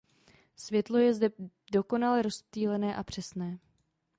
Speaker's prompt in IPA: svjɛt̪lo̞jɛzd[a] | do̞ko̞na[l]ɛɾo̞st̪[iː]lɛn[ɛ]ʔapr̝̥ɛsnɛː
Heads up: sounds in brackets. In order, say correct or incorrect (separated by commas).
incorrect, correct, correct, incorrect